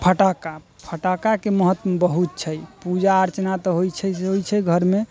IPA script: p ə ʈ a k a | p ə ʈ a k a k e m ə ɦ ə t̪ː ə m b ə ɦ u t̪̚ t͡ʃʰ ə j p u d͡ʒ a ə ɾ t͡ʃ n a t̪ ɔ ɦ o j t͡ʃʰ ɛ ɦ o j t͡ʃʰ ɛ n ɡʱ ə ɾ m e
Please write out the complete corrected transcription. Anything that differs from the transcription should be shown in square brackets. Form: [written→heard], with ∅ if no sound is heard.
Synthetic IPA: [p→pʰ] ə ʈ a k a | [p→pʰ] ə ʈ a k a k e m ə ɦ ə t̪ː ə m b ə ɦ u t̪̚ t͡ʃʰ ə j p u d͡ʒ a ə ɾ t͡ʃ n a t̪ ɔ ɦ o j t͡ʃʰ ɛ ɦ o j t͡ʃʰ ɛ [n→∅] ɡʱ ə ɾ m e